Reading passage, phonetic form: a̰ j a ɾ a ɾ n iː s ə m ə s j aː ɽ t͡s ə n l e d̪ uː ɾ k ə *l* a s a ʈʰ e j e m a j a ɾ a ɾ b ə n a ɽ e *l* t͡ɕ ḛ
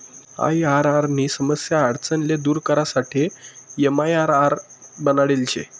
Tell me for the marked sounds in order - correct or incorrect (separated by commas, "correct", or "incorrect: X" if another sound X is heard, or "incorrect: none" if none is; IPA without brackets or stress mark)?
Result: incorrect: ɾ, correct